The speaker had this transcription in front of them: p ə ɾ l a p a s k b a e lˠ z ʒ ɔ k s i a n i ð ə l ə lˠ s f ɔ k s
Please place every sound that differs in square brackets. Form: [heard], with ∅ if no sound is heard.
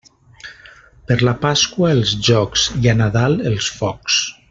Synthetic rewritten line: p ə ɾ l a p a s k [w] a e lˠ z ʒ ɔ k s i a n [a] ð [a] l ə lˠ s f ɔ k s